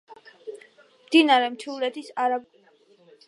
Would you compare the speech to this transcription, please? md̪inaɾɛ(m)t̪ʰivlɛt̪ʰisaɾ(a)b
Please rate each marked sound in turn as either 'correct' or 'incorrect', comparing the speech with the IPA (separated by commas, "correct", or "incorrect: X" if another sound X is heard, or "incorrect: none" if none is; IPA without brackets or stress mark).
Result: correct, correct